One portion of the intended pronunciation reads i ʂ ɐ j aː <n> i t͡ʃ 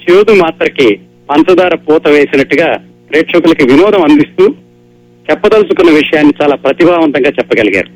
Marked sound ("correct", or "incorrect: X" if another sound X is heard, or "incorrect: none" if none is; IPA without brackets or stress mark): incorrect: nː